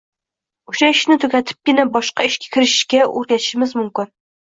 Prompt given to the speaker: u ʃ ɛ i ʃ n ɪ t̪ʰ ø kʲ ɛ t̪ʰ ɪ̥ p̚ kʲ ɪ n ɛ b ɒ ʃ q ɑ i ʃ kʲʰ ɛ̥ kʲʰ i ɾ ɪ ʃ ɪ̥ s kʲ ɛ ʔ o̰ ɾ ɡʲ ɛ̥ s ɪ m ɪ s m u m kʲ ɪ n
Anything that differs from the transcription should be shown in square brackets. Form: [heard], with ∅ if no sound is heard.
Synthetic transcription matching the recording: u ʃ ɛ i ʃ n ɪ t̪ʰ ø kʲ ɛ t̪ʰ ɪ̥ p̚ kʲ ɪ n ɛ b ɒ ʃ q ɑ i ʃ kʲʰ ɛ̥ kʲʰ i ɾ ɪ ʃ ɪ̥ [ʃ] kʲ ɛ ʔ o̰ ɾ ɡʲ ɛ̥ [ʃ] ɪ m ɪ [z] m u m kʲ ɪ n